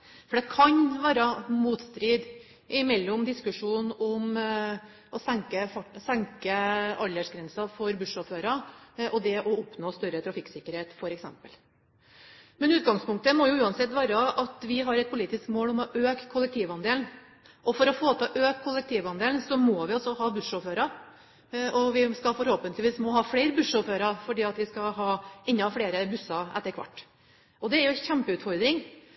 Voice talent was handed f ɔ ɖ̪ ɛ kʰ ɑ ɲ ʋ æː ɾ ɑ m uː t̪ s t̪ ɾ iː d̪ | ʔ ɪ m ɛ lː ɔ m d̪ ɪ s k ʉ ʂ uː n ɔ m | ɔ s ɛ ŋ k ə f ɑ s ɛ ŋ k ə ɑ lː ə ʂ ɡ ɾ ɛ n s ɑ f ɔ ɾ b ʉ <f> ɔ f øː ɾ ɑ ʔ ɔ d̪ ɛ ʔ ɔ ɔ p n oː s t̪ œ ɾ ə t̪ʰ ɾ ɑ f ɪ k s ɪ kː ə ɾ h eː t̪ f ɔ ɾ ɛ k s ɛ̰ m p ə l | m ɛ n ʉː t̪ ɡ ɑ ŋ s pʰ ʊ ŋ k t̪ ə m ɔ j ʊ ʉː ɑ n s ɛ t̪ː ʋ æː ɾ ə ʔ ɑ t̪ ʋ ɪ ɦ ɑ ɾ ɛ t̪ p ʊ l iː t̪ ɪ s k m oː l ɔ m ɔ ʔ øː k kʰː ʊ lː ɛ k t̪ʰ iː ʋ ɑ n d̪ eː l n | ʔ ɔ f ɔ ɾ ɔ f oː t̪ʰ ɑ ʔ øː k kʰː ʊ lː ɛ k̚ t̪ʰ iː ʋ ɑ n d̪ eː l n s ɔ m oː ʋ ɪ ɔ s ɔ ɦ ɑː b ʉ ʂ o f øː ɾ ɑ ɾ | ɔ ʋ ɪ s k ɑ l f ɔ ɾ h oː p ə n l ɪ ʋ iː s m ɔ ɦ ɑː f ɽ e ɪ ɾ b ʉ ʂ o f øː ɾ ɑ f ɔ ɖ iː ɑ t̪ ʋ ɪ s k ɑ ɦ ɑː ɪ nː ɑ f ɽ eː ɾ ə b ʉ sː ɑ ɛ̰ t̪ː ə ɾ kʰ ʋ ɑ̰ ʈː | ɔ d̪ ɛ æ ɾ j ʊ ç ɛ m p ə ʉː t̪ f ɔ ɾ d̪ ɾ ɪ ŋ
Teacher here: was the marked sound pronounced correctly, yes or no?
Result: no